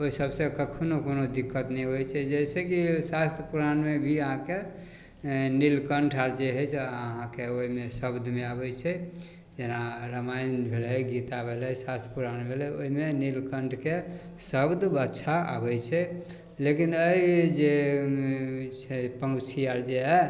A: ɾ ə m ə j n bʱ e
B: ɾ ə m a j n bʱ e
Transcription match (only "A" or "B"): B